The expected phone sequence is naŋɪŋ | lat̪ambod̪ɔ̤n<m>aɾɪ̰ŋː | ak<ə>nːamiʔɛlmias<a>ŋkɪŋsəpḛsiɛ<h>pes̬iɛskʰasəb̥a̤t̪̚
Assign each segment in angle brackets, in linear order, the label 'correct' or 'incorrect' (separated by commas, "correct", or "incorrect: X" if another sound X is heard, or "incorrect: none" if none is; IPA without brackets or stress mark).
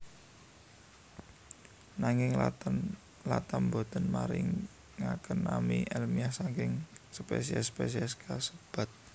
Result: correct, correct, correct, incorrect: s